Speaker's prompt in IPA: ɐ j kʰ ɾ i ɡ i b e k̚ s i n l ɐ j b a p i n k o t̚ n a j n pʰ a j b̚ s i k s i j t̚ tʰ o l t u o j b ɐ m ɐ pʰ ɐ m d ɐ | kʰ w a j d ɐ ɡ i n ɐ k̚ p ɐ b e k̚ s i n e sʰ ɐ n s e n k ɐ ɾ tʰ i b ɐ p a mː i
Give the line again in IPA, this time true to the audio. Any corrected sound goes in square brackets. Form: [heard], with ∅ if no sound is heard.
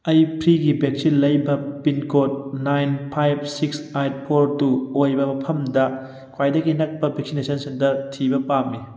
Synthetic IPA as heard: ɐ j [pʰ] ɾ i ɡ i b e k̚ s i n l ɐ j b [ɐ] p i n k o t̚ n a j n pʰ a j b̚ s i k s [a] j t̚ [pʰ] o [ɾ] t u o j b ɐ m ɐ pʰ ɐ m d ɐ | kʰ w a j d ɐ ɡ i n ɐ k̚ p ɐ b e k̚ s i n e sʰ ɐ n s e n [t] ɐ ɾ tʰ i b ɐ p a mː i